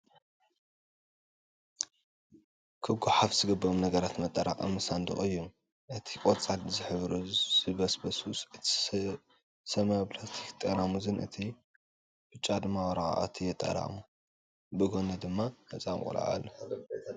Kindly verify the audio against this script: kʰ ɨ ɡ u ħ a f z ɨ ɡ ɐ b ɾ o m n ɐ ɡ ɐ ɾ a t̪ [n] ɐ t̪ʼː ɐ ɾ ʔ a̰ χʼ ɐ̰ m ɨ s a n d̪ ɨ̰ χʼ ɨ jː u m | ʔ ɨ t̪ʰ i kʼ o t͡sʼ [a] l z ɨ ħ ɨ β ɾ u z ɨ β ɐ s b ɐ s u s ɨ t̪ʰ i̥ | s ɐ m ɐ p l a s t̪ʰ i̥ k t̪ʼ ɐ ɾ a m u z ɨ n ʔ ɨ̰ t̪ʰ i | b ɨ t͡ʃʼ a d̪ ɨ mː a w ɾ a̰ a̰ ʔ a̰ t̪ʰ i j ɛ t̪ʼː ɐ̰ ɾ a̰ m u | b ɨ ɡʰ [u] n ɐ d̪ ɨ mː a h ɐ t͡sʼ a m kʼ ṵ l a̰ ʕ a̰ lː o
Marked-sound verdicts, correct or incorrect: incorrect, correct, incorrect

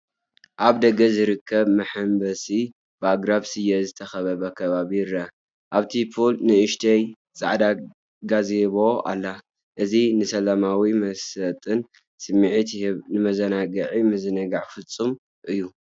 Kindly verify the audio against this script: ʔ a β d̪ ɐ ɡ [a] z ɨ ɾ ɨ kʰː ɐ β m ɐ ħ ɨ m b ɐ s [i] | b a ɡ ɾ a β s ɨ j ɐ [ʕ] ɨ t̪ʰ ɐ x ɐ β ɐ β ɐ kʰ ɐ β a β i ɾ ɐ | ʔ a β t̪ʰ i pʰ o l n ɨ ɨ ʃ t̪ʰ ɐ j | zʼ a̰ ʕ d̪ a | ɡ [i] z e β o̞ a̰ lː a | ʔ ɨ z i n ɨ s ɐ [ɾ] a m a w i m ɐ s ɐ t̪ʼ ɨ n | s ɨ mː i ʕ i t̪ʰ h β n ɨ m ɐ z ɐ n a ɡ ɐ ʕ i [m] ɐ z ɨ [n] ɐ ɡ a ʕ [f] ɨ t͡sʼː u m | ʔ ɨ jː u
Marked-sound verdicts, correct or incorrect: incorrect, correct, incorrect, incorrect, incorrect, correct, correct, correct

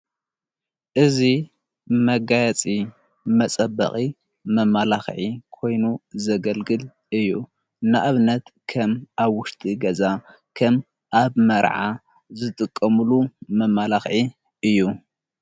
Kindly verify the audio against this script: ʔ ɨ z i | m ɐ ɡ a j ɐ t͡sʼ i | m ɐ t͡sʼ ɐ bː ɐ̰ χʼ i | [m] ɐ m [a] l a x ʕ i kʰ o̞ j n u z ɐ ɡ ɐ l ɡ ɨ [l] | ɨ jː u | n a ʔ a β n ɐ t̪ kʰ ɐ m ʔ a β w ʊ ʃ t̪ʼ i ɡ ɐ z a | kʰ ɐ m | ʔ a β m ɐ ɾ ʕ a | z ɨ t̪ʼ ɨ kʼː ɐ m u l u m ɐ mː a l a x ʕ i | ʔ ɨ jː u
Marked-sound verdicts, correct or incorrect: correct, correct, correct

